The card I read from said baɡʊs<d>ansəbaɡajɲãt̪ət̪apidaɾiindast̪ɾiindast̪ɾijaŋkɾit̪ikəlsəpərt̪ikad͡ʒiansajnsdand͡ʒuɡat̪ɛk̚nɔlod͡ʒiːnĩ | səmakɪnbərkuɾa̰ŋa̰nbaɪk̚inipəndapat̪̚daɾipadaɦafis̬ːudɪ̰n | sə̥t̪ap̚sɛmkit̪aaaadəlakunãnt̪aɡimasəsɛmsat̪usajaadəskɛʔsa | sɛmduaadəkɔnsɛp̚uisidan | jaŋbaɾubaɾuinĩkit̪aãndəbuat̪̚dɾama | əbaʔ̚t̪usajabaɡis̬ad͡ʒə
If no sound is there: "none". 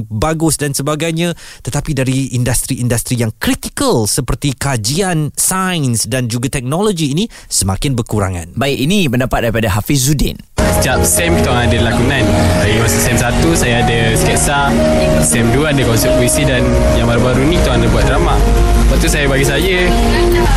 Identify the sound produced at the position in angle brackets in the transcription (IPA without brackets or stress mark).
d